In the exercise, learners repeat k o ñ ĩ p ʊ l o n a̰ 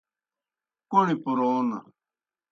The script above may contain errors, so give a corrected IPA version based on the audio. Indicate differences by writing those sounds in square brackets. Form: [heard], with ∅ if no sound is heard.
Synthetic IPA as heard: k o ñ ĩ p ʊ [ɾ] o n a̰